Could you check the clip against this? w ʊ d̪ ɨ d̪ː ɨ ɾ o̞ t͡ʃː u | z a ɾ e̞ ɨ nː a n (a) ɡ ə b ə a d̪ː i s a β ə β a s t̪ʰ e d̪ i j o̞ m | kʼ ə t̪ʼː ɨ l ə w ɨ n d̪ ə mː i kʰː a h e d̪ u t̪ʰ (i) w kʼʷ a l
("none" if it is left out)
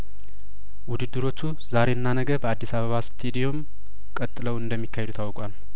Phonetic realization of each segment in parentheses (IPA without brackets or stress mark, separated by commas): ə, a